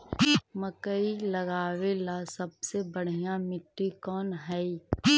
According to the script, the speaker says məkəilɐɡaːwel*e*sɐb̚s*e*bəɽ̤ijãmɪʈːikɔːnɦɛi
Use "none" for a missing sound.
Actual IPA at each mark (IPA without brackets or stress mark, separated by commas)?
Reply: a, e